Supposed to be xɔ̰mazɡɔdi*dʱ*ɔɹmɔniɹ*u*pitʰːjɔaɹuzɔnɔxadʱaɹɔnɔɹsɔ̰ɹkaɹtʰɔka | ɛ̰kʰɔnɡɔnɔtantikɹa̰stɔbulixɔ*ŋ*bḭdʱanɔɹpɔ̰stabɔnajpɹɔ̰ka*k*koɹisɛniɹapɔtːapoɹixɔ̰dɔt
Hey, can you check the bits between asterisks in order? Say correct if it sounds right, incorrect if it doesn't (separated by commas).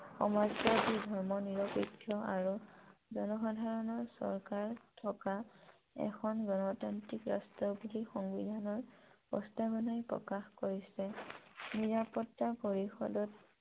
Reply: correct, incorrect, correct, incorrect